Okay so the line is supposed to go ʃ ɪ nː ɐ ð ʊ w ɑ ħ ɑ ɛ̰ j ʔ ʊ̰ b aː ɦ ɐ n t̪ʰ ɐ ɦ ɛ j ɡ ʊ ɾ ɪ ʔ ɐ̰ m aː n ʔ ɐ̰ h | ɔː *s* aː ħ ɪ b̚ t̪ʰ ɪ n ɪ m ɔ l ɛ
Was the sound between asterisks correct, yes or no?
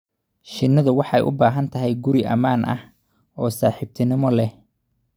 yes